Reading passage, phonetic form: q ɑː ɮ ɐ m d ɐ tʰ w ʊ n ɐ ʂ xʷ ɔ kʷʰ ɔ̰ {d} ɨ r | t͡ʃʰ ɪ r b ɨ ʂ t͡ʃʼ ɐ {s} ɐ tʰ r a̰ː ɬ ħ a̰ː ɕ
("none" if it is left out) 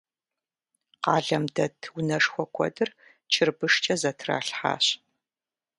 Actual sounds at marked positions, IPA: d, z

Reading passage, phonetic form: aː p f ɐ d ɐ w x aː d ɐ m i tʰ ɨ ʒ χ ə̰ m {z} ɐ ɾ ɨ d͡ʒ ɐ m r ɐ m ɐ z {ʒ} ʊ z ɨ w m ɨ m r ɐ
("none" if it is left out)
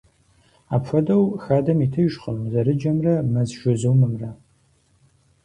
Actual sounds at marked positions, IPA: z, ʒ

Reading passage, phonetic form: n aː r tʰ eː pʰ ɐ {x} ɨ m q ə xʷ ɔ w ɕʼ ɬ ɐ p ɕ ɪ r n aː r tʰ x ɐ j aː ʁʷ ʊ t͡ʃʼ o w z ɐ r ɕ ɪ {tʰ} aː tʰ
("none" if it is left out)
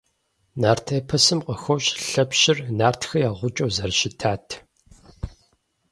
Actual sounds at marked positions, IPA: s, tʰ

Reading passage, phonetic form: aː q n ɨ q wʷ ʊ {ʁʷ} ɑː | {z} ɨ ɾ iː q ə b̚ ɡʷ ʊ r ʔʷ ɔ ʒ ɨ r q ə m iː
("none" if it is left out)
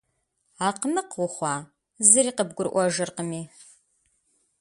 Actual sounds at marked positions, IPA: χʷ, z

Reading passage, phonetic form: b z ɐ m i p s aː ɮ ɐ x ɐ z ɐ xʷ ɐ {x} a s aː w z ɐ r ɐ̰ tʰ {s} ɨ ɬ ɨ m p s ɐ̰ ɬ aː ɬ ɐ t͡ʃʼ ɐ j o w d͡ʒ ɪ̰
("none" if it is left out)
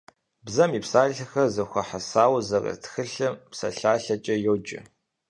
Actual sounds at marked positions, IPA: ħ, x

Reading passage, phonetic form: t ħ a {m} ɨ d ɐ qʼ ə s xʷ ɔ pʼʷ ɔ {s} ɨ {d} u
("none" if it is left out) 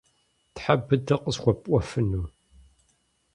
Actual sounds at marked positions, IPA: b, f, n

